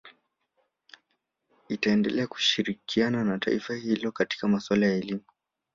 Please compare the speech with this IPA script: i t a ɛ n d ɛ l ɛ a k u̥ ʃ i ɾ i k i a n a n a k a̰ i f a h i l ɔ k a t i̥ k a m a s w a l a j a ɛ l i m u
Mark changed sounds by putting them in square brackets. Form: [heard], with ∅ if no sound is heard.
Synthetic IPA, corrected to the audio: i t a ɛ n d ɛ l ɛ a k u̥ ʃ i ɾ i k i a n a n a [t] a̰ i f a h i l ɔ k a t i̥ k a m a s w a l a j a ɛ l i m u